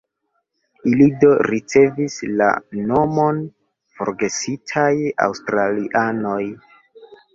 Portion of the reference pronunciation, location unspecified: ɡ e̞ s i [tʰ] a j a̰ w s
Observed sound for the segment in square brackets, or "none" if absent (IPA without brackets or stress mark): tʰ